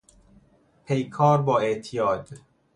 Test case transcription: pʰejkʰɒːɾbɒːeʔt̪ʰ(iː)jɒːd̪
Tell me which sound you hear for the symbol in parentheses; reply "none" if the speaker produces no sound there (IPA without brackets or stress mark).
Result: i